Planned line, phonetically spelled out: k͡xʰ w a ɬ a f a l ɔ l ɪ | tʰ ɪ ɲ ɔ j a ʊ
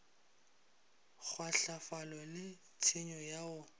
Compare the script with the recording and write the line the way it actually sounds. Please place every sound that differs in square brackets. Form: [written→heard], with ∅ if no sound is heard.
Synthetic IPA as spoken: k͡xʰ w a ɬ a f a l ɔ l ɪ | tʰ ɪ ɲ ɔ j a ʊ